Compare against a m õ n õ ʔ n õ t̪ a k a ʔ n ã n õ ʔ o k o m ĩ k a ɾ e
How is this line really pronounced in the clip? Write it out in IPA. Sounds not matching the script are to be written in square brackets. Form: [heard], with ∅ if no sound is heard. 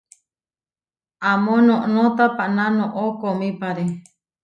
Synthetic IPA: a m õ n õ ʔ n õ t̪ a [p] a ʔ n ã n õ ʔ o k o m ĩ [p] a ɾ e